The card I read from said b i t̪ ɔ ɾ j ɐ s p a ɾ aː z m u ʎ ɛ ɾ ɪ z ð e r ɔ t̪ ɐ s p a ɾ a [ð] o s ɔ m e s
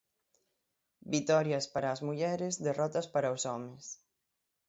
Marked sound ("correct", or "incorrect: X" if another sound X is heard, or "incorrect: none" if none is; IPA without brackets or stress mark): incorrect: none